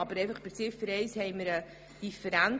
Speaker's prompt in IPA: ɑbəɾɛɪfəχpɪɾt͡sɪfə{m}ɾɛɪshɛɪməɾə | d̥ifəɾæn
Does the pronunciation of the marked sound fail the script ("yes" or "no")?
yes